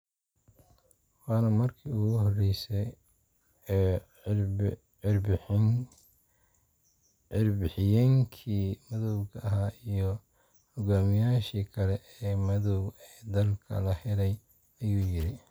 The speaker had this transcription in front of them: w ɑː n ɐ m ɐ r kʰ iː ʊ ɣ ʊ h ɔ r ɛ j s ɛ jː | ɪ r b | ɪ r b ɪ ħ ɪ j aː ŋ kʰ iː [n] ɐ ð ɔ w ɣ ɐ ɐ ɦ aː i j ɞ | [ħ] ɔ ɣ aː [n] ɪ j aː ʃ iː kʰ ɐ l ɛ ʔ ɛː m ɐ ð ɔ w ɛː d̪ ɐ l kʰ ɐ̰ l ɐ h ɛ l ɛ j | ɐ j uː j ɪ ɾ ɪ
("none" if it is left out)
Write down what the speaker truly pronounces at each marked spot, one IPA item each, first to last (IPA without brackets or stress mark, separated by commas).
m, h, m